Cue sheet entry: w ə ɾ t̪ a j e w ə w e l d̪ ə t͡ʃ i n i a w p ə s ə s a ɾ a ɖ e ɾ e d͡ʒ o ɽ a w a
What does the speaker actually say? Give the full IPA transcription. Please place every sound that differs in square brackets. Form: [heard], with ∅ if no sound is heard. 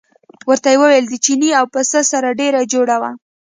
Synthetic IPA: w ə ɾ t̪ a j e w ə w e l d̪ ə t͡ʃ i n i a w p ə s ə s a ɾ a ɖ e ɾ [a] d͡ʒ o ɽ a w a